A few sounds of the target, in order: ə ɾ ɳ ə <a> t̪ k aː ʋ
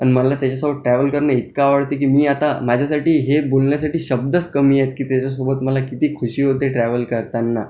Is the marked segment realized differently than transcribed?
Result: yes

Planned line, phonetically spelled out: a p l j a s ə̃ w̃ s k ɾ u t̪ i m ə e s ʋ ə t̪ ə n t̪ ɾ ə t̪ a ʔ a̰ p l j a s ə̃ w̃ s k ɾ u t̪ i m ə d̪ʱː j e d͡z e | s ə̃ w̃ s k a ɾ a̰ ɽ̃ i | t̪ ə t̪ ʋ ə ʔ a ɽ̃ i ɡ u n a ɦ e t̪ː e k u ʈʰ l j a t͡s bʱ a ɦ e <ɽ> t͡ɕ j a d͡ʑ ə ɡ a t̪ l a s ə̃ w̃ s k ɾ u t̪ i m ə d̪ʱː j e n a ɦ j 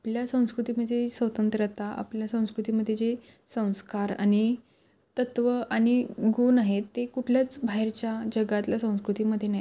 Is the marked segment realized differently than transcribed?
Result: yes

